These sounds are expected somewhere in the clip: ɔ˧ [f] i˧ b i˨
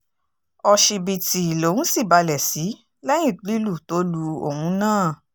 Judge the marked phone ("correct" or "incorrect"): incorrect